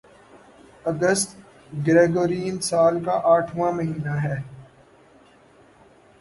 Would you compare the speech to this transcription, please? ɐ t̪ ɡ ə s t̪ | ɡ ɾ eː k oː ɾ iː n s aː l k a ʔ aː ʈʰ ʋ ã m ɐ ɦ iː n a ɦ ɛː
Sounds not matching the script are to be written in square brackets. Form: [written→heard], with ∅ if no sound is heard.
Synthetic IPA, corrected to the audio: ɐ [t̪→∅] ɡ ə s t̪ | ɡ ɾ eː [k→ɡ] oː ɾ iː n s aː l k a ʔ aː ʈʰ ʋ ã m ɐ ɦ iː n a ɦ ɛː